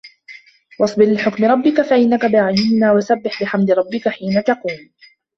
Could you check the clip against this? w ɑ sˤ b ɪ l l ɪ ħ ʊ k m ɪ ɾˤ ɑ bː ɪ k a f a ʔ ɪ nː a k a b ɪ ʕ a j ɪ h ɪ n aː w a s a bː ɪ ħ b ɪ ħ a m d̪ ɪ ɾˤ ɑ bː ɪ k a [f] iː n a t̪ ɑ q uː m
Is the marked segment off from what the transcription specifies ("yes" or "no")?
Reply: yes